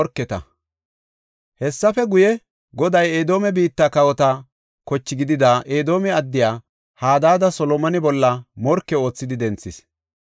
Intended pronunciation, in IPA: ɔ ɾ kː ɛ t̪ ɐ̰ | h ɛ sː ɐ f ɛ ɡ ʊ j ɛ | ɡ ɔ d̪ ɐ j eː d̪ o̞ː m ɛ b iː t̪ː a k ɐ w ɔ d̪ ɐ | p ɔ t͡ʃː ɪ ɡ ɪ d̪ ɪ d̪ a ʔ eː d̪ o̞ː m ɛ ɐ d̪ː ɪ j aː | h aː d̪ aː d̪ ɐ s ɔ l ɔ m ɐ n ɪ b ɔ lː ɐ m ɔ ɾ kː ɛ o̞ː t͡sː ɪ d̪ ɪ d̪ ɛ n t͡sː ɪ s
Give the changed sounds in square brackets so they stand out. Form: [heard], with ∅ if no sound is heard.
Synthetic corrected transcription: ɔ ɾ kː ɛ t̪ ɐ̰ | h ɛ sː ɐ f ɛ ɡ ʊ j ɛ | ɡ ɔ d̪ ɐ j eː d̪ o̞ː m ɛ b iː t̪ː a k ɐ w ɔ [t̪] ɐ | [k] ɔ t͡ʃː ɪ ɡ ɪ d̪ ɪ d̪ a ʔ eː d̪ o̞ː m ɛ ɐ d̪ː ɪ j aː | h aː d̪ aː d̪ ɐ s ɔ l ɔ m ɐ n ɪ b ɔ lː ɐ m ɔ ɾ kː ɛ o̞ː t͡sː ɪ d̪ ɪ d̪ ɛ n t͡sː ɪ s